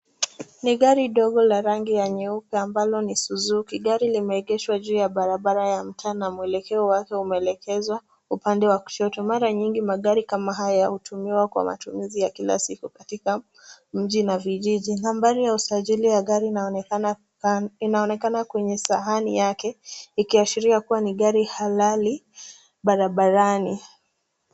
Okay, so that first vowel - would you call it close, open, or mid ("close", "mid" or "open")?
close